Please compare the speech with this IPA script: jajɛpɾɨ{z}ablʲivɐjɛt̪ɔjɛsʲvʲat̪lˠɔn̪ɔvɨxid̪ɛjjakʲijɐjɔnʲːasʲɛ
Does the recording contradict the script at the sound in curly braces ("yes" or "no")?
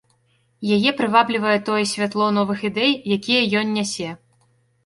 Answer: yes